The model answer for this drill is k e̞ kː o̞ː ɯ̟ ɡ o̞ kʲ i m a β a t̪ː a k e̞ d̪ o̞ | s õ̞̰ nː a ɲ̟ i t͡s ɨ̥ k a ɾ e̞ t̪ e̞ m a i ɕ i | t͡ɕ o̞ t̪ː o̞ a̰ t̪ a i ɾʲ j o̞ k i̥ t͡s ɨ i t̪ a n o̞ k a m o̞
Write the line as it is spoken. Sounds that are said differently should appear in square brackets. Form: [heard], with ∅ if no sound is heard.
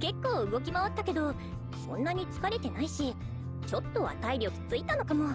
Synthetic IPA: k e̞ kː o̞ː ɯ̟ ɡ o̞ kʲ i m a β a t̪ː a k e̞ d̪ o̞ | s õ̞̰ nː a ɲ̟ i t͡s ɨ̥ k a ɾ e̞ t̪ e̞ [n] a i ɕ i | t͡ɕ o̞ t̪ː o̞ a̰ t̪ a i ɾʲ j o̞ k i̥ t͡s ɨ i t̪ a n o̞ k a m o̞